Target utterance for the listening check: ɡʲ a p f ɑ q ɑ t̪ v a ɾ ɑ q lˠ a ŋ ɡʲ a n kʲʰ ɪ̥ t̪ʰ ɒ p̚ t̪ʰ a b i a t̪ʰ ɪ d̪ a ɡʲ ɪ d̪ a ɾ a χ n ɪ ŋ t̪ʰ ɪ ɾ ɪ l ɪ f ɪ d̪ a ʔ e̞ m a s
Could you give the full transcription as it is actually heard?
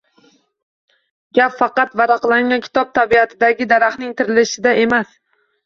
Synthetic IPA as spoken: ɡʲ a p f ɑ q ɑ t̪ v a ɾ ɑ q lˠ a ŋ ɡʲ a n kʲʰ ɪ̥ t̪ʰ ɒ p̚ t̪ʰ a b i a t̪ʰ ɪ d̪ a ɡʲ ɪ d̪ a ɾ a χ n ɪ ŋ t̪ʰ ɪ ɾ ɪ l ɪ ʃ ɪ d̪ a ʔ e̞ m a s